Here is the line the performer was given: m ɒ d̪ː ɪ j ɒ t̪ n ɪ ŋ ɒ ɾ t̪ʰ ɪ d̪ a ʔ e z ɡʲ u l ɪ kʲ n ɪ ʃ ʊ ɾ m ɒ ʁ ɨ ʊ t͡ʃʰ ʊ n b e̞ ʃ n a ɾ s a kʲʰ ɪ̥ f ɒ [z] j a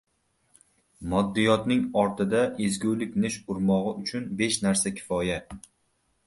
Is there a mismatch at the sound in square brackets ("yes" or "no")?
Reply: yes